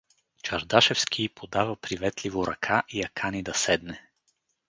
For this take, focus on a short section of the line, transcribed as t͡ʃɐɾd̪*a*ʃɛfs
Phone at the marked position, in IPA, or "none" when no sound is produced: a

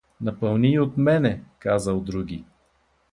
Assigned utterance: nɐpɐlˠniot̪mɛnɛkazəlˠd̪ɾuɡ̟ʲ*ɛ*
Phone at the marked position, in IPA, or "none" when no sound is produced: i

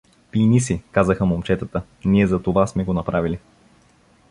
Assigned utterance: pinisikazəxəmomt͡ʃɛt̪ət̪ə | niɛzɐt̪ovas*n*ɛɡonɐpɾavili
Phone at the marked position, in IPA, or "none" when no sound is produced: m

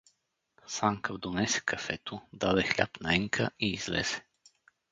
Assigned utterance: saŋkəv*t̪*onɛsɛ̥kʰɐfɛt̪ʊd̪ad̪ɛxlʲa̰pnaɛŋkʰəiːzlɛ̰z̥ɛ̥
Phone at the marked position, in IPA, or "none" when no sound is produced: d̪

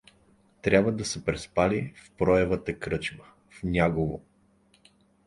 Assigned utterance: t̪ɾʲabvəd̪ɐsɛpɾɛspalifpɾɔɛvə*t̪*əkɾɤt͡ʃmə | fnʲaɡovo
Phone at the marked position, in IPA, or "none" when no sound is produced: t̪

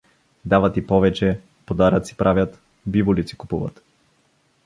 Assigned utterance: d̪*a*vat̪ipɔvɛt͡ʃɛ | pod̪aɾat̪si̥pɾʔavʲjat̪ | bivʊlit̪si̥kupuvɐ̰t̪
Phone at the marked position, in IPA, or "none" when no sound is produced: a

